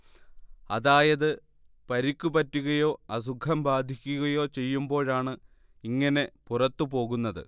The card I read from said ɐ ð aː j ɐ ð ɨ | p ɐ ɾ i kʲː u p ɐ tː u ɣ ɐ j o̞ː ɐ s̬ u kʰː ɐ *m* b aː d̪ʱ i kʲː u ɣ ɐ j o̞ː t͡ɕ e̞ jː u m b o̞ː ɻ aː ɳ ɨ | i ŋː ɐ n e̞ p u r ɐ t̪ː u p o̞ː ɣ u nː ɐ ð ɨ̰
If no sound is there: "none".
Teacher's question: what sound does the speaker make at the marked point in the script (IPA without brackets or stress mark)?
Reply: m